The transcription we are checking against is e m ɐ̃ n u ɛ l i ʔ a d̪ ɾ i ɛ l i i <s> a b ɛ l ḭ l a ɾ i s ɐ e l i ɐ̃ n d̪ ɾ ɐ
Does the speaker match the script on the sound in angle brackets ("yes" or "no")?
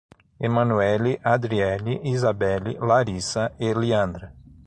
no